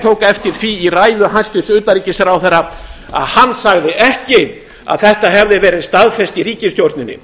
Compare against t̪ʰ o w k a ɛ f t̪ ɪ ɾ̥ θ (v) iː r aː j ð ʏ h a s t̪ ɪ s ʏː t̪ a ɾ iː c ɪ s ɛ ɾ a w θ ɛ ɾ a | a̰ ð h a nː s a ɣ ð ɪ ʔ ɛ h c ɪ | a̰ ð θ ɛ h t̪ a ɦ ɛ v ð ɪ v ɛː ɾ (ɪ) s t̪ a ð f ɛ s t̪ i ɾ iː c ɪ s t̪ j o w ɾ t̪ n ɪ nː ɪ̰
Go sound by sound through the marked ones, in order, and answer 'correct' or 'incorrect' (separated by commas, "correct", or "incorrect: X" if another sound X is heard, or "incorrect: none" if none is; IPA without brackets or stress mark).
correct, correct